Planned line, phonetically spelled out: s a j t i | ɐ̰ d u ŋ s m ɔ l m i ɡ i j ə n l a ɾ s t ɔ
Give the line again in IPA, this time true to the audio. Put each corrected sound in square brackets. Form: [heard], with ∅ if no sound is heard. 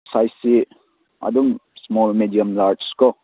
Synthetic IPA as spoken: s a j [s] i | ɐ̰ d u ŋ s m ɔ l m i [d] i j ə [m] l a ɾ s [k] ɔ